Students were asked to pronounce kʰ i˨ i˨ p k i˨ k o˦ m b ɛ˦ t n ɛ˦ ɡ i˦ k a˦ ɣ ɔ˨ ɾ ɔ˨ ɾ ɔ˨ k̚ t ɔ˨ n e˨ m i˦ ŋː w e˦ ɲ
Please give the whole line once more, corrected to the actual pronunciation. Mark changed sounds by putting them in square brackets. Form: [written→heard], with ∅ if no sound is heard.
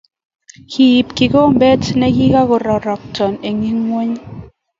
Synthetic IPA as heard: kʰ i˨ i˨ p k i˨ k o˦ m b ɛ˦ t n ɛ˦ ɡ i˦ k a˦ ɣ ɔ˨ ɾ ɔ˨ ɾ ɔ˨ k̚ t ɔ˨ n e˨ [m→ŋ] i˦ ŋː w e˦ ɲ